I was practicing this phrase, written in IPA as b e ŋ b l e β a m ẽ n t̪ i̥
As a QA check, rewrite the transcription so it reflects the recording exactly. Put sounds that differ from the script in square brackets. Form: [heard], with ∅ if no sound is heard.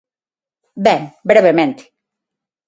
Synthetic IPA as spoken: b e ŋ b [ɾ] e β [e] m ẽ n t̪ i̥